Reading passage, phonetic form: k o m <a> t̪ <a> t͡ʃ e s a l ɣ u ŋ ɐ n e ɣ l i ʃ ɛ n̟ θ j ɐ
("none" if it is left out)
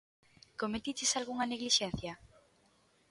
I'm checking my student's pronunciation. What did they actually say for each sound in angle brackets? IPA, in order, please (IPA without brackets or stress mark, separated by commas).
e, i